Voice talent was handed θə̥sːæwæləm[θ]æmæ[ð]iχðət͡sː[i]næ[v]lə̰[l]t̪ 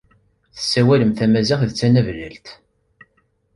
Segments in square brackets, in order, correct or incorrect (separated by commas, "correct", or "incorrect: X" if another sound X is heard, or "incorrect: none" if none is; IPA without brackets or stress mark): correct, incorrect: z, incorrect: æ, correct, correct